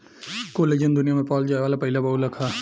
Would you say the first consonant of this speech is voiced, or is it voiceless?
voiceless